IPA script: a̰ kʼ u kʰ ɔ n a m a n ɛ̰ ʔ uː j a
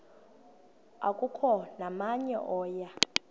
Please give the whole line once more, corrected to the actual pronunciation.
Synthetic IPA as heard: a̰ kʼ u kʰ ɔ n a m a ɲ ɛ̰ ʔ ɔː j a